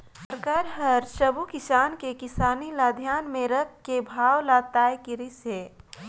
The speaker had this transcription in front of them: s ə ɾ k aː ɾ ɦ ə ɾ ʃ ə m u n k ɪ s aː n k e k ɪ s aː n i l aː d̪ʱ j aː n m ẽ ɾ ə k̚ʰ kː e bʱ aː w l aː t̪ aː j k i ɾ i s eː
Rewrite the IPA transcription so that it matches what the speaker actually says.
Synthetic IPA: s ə ɾ k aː ɾ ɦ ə ɾ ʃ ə b u k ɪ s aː n k e k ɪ s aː n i l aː d̪ʱ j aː n m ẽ ɾ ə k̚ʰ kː e bʱ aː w l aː t̪ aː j k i ɾ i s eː